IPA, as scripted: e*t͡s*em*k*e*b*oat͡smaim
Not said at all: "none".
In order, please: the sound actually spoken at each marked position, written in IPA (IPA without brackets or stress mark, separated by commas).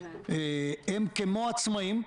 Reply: none, k, m